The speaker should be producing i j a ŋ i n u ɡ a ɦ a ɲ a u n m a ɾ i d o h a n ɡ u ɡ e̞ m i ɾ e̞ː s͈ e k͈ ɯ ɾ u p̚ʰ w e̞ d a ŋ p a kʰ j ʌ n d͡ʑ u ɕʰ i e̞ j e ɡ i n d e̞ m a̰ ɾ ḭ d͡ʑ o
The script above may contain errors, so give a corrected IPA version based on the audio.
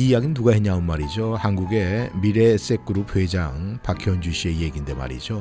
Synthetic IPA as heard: i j a ɡ i n u ɡ a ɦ e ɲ a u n m a ɾ i d͡ʑ o h a n ɡ u ɡ e̞ m i ɾ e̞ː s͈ e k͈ ɯ ɾ u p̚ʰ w e̞ d͡ʑ a ŋ p a kʰ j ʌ n d͡ʑ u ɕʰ i e̞ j e ɡ i n d e̞ m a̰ ɾ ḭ d͡ʑ o